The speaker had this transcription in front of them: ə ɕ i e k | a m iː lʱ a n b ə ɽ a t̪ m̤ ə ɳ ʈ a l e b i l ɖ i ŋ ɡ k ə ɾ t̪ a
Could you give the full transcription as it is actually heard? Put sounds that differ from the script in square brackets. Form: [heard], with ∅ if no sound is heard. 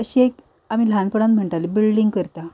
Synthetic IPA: ə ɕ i e k | a m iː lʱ a n [p] ə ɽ a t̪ m̤ ə ɳ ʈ a l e b i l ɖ i ŋ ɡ k ə ɾ t̪ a